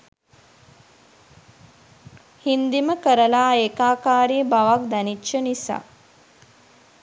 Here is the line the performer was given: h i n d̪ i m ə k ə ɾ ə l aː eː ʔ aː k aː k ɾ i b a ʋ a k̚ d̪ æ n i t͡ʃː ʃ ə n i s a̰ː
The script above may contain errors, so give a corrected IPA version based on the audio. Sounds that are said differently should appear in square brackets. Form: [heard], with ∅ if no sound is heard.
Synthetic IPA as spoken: h i n d̪ i m ə k ə ɾ ə l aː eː [k] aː k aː [∅] ɾ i b a ʋ a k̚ d̪ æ n i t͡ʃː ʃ ə n i s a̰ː

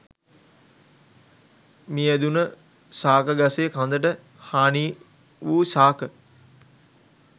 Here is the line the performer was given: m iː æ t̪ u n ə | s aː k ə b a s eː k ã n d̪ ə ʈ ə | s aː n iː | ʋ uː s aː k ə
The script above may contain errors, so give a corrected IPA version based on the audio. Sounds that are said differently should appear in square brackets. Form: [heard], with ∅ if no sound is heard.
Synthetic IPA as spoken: m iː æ [d̪] u n ə | s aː k ə [ɡ] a s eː k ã n d̪ ə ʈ ə | [h] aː n iː | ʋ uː s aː k ə

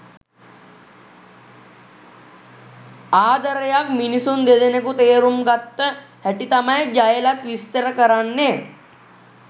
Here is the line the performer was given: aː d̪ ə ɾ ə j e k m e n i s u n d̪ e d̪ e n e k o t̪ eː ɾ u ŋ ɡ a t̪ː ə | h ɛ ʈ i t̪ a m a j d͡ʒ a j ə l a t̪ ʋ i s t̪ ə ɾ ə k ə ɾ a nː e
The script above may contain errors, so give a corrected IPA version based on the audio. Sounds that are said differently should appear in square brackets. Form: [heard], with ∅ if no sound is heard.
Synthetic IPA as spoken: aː d̪ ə ɾ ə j [a] k m [i] n i s u n d̪ e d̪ e n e k [u] t̪ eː ɾ u [m] ɡ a t̪ː ə | h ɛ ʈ i t̪ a m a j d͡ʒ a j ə l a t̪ ʋ i s t̪ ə ɾ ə k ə ɾ a nː e

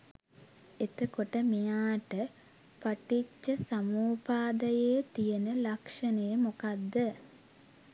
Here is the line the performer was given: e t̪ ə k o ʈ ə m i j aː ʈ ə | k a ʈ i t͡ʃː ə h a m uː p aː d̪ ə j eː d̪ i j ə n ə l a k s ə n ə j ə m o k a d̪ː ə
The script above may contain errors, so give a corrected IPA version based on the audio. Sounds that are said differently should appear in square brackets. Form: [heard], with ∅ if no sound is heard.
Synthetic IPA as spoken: e t̪ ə k o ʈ ə m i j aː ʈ ə | [p] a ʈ i t͡ʃː ə [s] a m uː p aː d̪ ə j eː [t̪] i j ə n ə l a k [ʂ] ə n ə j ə m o k a d̪ː ə

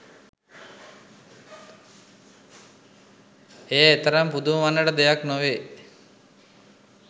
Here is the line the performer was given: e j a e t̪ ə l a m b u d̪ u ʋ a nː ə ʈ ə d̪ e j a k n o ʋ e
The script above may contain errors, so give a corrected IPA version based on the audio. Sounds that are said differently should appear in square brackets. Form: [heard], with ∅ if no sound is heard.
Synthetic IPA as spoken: e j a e t̪ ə [ɾ] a m [p] u d̪ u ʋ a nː ə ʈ ə d̪ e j a k n o ʋ e

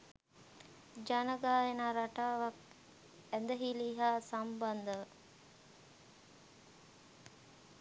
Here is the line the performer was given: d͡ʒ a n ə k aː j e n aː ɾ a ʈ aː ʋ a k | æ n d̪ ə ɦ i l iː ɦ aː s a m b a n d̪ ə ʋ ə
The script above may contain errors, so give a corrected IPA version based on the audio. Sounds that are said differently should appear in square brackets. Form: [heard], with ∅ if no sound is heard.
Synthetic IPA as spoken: d͡ʒ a n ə [ɡ] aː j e n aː ɾ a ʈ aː ʋ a k | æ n d̪ ə ɦ i l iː ɦ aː s a m b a n d̪ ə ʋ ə

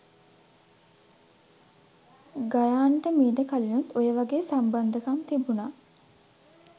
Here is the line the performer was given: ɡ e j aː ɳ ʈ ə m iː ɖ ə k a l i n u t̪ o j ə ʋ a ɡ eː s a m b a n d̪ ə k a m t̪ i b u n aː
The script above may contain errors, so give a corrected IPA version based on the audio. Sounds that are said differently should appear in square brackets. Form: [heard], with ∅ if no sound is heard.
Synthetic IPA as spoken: ɡ [a] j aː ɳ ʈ ə m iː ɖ ə k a l i n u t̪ o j ə ʋ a ɡ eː s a m b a n d̪ ə k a m t̪ i b u n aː

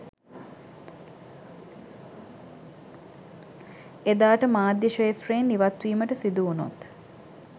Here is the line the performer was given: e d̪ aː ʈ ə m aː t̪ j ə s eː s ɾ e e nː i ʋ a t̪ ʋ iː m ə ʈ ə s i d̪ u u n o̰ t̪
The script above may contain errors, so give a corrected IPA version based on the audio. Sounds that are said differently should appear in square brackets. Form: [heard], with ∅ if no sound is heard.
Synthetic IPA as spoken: e d̪ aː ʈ ə m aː [d̪] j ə [ʃ] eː s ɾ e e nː i ʋ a t̪ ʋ iː m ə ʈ ə s i d̪ u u n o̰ t̪

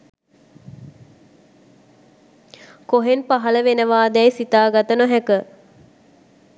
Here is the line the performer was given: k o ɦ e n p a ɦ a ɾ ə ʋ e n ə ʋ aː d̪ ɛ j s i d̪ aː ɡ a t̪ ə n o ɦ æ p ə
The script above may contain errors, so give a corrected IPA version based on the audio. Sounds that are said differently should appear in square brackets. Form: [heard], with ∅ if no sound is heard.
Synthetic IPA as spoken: k o ɦ e n p a ɦ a [l] ə ʋ e n ə ʋ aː d̪ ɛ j s i [t̪] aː ɡ a t̪ ə n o ɦ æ [k] ə

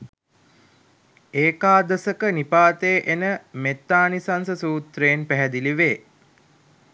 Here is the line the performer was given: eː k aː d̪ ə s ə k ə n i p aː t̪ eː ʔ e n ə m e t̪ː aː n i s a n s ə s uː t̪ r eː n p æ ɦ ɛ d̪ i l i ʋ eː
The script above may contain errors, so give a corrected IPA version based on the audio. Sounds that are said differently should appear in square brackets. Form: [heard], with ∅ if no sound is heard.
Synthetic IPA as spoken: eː k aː d̪ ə s ə k ə n i p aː t̪ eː ʔ e n ə m e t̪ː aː n i s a n s ə s uː t̪ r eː n p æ ɦ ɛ d̪ i l i ʋ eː

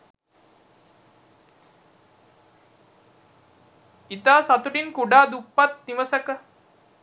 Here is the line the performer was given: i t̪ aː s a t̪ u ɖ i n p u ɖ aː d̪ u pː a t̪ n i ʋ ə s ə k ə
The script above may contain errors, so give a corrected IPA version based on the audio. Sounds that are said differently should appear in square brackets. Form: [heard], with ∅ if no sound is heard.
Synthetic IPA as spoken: i t̪ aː s a t̪ u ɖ i n [k] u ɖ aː d̪ u pː a t̪ n i ʋ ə s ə k ə

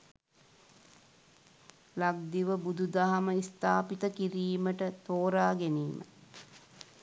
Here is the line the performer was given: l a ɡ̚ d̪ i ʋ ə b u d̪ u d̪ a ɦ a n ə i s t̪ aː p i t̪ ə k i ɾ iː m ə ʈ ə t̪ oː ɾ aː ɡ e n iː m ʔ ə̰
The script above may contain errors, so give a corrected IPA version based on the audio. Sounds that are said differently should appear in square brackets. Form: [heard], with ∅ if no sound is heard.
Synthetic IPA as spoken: l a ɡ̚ d̪ i ʋ ə b u d̪ u d̪ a ɦ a [m] ə i s t̪ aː p i t̪ ə k i ɾ iː m ə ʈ ə t̪ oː ɾ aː ɡ e n iː m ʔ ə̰

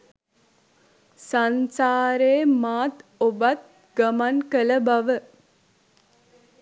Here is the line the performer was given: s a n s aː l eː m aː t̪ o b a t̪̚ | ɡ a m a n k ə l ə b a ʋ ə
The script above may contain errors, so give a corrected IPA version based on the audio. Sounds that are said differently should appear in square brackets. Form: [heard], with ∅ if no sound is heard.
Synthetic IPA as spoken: s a n s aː [ɾ] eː m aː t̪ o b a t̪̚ | ɡ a m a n k ə l ə b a ʋ ə

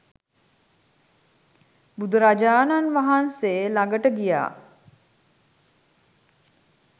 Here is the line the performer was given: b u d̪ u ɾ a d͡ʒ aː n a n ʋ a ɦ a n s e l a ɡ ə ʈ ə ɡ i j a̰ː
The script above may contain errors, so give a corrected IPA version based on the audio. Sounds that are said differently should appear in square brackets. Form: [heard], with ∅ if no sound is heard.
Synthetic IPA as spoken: b u d̪ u ɾ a d͡ʒ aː n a n ʋ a ɦ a n s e l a ɡ ə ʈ ə ɡ i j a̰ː

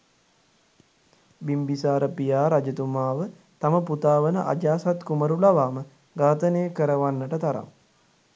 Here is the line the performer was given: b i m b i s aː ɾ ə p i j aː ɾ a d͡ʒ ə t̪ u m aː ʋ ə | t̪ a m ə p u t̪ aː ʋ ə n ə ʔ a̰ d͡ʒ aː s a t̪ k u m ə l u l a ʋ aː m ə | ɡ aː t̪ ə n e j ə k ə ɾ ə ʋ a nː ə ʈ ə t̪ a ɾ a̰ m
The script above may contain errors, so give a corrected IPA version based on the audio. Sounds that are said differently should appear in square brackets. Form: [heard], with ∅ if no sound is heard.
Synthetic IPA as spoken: b i m b i s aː ɾ ə p i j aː ɾ a d͡ʒ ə t̪ u m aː ʋ ə | t̪ a m ə p u t̪ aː ʋ ə n ə ʔ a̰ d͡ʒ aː s a t̪ k u m ə [ɾ] u l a ʋ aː m ə | ɡ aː t̪ ə n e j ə k ə ɾ ə ʋ a nː ə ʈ ə t̪ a ɾ a̰ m

